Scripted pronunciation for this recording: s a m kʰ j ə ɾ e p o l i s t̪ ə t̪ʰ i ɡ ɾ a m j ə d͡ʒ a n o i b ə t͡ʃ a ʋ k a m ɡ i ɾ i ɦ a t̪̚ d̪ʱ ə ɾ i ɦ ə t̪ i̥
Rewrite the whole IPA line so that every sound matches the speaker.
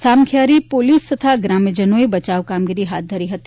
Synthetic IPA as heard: s a m kʰ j a ɾ i p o l i s t̪ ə t̪ʰ a ɡ ɾ a m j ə d͡ʒ ə n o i b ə t͡ʃ a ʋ k a m ɡ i ɾ i ɦ a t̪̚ d̪ʱ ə ɾ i ɦ ə t̪ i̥

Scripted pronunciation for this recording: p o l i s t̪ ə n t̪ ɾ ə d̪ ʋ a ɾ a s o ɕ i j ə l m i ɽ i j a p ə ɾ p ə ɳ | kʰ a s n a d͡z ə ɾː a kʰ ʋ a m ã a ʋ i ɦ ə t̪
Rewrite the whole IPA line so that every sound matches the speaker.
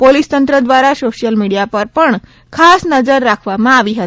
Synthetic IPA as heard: p o l i s t̪ ə n t̪ ɾ ə d̪ ʋ a ɾ a s o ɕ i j ə l m i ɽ i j a p ə ɾ p ə ɳ | kʰ a s n ə d͡z ə ɾː a kʰ ʋ a m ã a ʋ i ɦ ə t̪

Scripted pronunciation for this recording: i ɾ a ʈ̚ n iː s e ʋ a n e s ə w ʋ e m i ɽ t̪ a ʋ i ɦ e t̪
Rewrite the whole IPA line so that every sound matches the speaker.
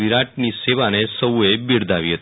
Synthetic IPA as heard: i ɾ a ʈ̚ n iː s e ʋ a n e s ə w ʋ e b i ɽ d̪ a ʋ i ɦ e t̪

